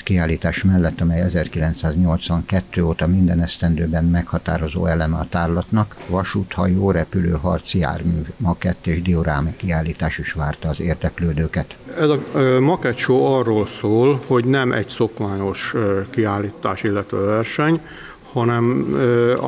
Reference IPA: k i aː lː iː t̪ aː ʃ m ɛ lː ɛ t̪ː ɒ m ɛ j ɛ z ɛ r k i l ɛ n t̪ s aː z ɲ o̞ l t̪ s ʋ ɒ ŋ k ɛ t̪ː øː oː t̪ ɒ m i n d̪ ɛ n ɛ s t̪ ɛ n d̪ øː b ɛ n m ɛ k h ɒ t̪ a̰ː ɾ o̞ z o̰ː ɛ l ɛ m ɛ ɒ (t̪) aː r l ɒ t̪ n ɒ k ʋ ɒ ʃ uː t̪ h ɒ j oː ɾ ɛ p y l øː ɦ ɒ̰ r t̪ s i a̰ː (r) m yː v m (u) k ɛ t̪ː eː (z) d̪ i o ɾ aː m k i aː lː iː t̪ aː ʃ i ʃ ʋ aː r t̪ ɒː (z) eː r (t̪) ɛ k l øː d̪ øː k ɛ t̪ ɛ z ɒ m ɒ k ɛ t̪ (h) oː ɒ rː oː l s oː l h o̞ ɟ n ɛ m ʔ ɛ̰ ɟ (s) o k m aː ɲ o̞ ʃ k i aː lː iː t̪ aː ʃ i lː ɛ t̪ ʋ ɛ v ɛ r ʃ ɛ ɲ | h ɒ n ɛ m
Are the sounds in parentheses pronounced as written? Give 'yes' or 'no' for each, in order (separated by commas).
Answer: yes, yes, no, no, yes, no, no, yes